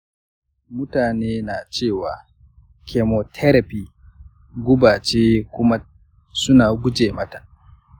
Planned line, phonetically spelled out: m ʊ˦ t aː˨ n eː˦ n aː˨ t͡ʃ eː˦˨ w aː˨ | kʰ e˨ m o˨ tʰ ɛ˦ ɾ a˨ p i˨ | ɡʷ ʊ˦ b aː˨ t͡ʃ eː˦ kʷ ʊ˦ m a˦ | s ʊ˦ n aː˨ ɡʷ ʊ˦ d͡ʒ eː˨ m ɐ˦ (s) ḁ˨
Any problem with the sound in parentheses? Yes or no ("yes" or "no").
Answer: yes